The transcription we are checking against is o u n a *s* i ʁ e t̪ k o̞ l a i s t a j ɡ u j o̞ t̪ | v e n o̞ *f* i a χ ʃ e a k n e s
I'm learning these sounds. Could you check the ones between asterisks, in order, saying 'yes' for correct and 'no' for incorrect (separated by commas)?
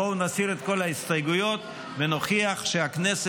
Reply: yes, no